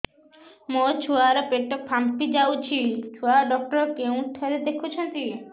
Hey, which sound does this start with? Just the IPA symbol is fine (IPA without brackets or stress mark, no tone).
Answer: m